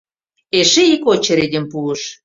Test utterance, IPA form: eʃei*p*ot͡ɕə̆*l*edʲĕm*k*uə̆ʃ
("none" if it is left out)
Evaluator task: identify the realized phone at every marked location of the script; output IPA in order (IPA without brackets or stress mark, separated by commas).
k, ɾ, p